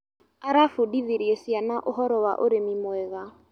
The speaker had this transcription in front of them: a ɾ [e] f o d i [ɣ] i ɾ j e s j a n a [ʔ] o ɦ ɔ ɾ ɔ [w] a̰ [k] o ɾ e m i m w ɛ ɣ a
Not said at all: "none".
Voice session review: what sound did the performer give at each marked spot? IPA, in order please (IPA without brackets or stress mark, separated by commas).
a, ð, ʔ, w, ʔ